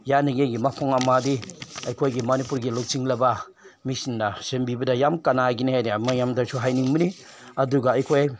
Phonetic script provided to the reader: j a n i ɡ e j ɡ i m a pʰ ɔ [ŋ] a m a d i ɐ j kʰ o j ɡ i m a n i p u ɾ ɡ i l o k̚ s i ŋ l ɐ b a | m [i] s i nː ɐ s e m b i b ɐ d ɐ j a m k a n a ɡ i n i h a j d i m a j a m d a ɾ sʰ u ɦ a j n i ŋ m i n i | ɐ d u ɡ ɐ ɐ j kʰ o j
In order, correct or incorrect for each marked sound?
correct, correct

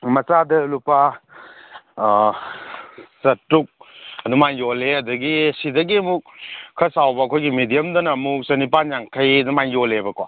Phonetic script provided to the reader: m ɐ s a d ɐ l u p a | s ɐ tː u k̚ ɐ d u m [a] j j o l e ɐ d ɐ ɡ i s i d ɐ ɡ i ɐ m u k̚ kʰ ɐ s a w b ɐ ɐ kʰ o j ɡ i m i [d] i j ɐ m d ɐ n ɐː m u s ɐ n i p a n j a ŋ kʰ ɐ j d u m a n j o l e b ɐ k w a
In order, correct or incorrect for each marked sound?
correct, correct

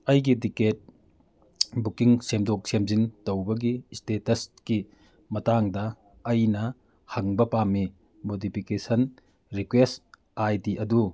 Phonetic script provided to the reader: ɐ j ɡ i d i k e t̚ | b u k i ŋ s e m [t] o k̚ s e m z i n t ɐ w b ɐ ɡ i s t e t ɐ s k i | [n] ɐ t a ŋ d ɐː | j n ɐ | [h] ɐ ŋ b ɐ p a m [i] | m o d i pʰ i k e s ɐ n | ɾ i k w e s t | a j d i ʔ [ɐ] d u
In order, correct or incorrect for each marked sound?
incorrect: d, incorrect: m, correct, correct, correct

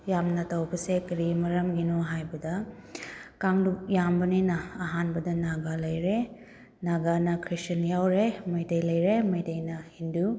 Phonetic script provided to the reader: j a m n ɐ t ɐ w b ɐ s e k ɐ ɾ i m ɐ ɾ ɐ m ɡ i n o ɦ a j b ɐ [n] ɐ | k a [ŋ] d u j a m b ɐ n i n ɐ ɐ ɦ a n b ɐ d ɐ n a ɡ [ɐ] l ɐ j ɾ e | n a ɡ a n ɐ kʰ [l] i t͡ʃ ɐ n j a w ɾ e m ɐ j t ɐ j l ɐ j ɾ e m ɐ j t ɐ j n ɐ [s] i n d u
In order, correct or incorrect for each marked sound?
incorrect: d, correct, incorrect: a, incorrect: ɾ, incorrect: h

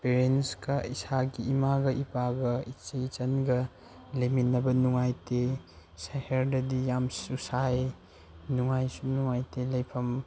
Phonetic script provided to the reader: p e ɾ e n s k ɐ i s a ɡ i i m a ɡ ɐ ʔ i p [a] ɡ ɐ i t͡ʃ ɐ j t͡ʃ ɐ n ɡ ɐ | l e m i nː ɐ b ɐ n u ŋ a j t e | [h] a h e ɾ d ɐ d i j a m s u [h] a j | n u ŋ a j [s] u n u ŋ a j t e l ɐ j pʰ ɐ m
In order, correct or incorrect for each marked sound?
correct, incorrect: s, incorrect: s, correct

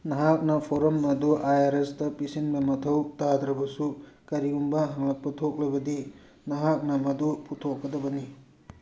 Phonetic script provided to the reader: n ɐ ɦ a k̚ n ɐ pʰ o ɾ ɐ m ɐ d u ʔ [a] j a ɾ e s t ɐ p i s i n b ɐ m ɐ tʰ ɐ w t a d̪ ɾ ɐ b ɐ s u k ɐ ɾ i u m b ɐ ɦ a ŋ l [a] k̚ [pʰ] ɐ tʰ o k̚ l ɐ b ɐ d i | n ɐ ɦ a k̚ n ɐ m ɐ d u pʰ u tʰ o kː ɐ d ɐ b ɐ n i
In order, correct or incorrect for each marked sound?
correct, incorrect: ɐ, incorrect: p

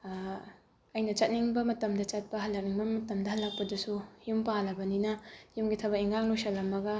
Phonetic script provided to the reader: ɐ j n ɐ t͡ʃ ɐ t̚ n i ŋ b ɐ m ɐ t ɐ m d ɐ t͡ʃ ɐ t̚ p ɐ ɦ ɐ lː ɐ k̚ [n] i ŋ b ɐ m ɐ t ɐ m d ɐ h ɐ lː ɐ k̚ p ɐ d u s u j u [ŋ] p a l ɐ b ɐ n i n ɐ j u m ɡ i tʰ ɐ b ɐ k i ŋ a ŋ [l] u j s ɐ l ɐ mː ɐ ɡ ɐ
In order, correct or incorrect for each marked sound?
correct, incorrect: m, correct

